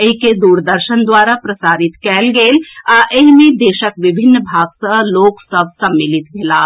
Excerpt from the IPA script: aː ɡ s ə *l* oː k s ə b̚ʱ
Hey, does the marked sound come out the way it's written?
yes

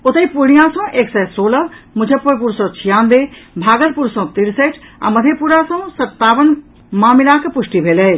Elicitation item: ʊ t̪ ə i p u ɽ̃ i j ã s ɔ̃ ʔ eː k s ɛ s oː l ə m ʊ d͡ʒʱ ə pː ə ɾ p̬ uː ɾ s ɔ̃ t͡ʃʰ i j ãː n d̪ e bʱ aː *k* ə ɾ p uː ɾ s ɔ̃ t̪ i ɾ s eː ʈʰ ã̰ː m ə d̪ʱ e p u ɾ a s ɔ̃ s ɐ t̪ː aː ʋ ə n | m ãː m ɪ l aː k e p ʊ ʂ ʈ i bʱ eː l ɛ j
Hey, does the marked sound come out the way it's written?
no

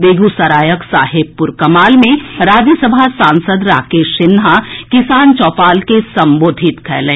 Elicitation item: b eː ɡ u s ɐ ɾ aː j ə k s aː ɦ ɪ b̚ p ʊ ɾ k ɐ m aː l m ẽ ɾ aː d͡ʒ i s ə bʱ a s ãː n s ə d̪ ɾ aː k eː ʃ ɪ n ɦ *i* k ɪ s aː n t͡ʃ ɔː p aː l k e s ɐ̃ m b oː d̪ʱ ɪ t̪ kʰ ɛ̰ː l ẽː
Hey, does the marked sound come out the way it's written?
no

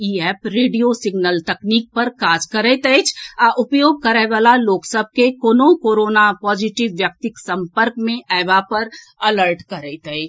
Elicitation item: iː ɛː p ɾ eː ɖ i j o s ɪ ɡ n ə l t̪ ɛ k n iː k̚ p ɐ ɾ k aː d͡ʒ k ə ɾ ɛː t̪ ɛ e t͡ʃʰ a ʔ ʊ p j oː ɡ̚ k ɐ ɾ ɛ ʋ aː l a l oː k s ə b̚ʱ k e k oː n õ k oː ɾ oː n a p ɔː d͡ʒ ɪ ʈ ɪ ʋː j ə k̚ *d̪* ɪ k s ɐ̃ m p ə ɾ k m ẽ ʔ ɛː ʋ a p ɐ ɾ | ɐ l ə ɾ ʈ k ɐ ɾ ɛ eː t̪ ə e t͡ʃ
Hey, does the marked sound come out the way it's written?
no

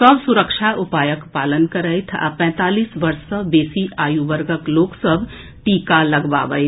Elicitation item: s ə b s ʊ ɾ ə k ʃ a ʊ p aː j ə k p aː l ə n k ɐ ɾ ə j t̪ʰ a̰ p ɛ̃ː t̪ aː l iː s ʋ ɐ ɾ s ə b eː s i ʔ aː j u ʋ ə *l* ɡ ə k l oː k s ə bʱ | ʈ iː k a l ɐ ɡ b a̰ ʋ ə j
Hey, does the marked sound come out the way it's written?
no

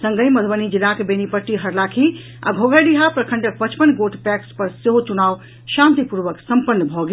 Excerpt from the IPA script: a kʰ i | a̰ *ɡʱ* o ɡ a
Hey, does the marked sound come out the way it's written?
yes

